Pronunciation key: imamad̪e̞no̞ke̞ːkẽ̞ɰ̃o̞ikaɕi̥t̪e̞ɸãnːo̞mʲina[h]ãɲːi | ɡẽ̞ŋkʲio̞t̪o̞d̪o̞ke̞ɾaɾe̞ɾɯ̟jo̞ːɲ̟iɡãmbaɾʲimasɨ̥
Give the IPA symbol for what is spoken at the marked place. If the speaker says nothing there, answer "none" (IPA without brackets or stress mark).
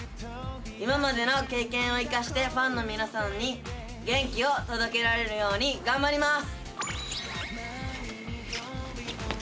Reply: s